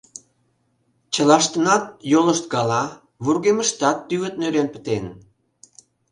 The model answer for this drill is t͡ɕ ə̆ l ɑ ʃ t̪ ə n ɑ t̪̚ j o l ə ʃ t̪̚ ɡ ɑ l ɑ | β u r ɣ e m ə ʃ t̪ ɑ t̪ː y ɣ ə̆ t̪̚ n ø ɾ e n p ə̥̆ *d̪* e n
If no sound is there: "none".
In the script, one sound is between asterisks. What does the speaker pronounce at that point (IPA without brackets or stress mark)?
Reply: t̪